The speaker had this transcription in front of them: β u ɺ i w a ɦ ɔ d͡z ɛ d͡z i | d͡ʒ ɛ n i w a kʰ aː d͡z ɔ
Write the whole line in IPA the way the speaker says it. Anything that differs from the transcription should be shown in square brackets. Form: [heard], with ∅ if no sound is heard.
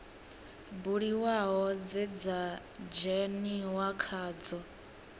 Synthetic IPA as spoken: [b] u ɺ i w a ɦ ɔ d͡z ɛ d͡z [a] | d͡ʒ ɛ n i w a kʰ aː d͡z ɔ